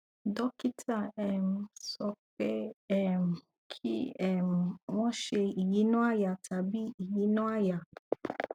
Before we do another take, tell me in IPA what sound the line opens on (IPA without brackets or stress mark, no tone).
d